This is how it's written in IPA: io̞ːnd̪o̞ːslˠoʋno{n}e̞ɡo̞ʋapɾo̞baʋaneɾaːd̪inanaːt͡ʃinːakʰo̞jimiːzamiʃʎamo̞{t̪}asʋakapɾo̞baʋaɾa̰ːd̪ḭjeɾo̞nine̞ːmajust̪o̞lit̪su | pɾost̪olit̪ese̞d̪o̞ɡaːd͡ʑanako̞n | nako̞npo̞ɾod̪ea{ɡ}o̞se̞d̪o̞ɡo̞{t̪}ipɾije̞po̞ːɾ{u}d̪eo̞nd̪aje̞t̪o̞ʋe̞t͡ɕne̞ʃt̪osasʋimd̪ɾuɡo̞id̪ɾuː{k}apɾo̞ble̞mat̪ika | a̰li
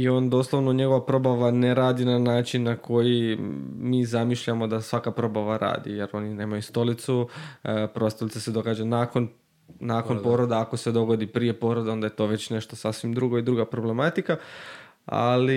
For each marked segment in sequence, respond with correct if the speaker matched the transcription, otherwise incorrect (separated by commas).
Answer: incorrect, incorrect, incorrect, incorrect, incorrect, incorrect